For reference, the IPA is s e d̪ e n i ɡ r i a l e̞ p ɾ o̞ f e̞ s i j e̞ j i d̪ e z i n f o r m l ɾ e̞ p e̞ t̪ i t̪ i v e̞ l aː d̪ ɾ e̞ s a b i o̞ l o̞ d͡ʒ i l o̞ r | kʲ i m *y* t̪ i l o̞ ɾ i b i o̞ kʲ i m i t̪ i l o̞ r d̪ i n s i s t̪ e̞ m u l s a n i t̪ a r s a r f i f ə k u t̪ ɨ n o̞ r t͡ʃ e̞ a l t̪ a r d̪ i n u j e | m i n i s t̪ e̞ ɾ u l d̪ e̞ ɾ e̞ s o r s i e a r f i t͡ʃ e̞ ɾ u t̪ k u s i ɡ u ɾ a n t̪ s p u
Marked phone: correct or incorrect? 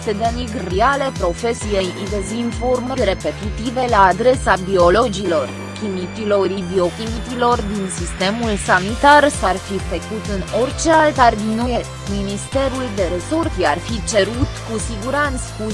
incorrect